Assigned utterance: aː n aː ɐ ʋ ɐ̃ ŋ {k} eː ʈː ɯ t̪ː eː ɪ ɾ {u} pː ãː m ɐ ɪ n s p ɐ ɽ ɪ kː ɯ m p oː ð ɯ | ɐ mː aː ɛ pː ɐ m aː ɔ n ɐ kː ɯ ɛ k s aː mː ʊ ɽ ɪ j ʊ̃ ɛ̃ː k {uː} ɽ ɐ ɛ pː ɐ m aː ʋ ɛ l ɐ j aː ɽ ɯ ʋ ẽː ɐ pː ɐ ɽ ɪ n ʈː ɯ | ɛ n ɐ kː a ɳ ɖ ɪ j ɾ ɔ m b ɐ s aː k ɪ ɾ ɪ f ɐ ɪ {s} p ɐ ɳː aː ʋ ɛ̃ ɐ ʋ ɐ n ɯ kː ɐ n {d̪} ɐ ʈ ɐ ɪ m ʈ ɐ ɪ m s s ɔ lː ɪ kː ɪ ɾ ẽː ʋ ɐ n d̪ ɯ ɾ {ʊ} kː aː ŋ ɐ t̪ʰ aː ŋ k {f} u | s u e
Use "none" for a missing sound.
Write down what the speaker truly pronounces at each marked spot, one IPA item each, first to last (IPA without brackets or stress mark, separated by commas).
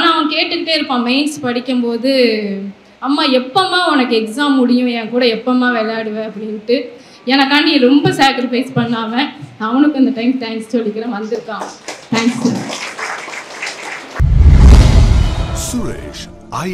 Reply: k, ɯ, uː, s, d̪, ɯ, s